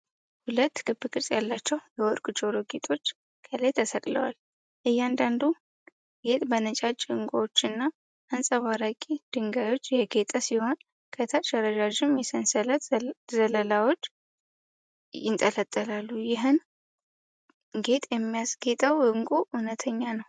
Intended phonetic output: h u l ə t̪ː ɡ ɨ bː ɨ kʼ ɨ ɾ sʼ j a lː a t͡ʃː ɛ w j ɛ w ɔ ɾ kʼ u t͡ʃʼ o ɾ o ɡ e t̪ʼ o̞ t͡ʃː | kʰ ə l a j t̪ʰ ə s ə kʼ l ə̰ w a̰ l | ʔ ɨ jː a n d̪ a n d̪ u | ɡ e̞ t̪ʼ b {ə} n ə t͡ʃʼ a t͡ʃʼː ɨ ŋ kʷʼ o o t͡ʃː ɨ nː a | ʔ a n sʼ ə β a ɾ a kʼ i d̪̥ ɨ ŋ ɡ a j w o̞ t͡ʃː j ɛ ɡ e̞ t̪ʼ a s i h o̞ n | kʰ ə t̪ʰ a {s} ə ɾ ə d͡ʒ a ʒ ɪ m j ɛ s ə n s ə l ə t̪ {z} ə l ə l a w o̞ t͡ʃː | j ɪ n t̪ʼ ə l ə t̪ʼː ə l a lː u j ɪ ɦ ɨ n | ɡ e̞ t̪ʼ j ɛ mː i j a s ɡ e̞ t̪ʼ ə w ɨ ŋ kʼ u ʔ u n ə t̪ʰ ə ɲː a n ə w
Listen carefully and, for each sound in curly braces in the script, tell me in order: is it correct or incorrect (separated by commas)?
correct, incorrect, correct